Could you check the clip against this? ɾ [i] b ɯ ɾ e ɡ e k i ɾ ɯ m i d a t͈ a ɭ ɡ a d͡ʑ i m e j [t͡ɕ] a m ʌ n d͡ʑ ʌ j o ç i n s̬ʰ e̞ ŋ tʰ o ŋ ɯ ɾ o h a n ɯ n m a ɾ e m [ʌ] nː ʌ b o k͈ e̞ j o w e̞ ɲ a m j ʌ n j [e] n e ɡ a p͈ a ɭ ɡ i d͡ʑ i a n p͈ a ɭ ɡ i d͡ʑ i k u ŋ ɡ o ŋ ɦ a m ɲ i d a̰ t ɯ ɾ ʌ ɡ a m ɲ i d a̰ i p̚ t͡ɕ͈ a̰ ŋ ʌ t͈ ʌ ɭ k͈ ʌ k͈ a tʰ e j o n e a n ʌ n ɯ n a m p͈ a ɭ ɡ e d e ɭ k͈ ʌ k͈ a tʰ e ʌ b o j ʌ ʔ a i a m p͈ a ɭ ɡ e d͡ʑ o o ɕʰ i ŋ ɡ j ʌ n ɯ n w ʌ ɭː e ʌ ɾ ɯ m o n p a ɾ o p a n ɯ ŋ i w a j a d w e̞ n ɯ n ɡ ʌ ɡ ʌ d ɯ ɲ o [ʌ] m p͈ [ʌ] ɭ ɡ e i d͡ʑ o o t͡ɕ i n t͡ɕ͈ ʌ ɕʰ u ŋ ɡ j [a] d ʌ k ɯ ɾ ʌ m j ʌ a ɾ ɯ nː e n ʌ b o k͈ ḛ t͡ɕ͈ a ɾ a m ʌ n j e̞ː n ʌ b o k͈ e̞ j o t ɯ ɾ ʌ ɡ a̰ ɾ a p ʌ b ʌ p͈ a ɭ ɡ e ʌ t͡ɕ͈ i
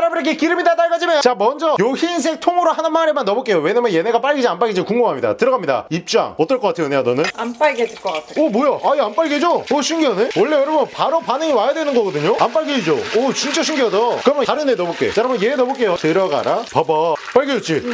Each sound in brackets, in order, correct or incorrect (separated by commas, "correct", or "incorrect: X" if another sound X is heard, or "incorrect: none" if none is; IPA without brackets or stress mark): incorrect: a, correct, incorrect: a, correct, incorrect: a, incorrect: a, incorrect: ʌ